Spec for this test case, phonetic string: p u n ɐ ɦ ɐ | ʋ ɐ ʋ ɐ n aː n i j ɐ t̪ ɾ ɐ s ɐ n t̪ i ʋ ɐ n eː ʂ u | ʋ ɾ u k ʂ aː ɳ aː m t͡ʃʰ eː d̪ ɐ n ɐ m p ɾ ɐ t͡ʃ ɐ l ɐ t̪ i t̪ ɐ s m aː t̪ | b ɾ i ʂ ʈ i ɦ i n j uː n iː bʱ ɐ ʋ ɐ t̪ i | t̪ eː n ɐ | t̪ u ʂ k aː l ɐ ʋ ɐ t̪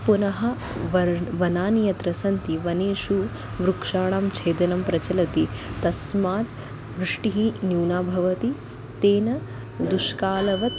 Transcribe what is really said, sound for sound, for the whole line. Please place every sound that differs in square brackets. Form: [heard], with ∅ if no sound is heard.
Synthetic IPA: p u n ɐ ɦ ɐ | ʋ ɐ ʋ ɐ n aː n i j ɐ t̪ ɾ ɐ s ɐ n t̪ i ʋ ɐ n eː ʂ u | ʋ ɾ u k ʂ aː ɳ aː m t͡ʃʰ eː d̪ ɐ n ɐ m p ɾ ɐ t͡ʃ ɐ l ɐ t̪ i t̪ ɐ s m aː t̪ | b ɾ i ʂ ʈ i ɦ i n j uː n [aː] bʱ ɐ ʋ ɐ t̪ i | t̪ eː n ɐ | [d̪] u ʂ k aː l ɐ ʋ ɐ t̪